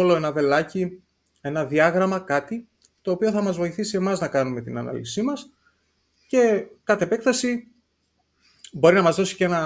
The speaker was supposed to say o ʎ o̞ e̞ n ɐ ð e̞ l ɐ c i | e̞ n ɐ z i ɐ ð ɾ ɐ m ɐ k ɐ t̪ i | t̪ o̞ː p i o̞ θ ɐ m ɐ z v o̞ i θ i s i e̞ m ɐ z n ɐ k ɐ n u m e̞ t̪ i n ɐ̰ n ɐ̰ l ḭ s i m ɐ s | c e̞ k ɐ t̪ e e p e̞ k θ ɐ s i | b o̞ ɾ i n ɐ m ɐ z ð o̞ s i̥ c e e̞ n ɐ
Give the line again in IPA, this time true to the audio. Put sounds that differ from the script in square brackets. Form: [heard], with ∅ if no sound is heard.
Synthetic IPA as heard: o [l] o̞ e̞ n ɐ ð e̞ l ɐ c i | e̞ n ɐ [ð] i ɐ [ɣ] ɾ ɐ m ɐ k ɐ t̪ i | t̪ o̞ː p i o̞ θ ɐ m ɐ z v o̞ i θ i s i e̞ m ɐ z n ɐ k ɐ n u m e̞ t̪ i n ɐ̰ n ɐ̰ l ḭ s i m ɐ s | c e̞ k ɐ t̪ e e p e̞ k θ ɐ s i | b o̞ ɾ i n ɐ m ɐ z ð o̞ s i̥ c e e̞ n ɐ